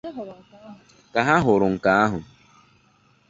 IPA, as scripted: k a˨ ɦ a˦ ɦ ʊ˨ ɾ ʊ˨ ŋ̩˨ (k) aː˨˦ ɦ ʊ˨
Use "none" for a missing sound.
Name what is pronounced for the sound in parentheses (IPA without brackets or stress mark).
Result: k